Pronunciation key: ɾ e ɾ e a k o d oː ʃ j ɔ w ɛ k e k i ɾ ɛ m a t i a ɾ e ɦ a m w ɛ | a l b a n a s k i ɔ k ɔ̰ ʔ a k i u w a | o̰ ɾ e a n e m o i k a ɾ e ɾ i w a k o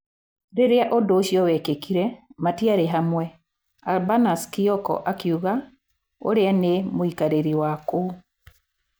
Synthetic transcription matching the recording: ɾ e ɾ e a ʔ o d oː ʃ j ɔ w ɛ k e k i ɾ ɛ m a t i a ɾ e ɦ a m w ɛ | a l b a n a s k i ɔ k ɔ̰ ʔ a k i u ɣ a | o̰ ɾ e a n e m o i k a ɾ e ɾ i w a k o